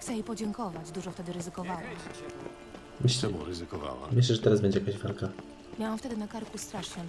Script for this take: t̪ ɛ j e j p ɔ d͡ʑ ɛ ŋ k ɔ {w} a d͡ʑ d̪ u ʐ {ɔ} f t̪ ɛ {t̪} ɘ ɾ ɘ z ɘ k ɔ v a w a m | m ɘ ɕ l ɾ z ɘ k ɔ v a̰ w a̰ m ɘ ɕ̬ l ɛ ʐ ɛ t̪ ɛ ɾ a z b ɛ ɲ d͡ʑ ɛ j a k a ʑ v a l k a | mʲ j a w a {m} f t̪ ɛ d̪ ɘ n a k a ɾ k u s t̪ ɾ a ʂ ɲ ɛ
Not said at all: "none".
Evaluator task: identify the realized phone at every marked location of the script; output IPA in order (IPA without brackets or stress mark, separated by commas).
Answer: v, ɔ, d̪, m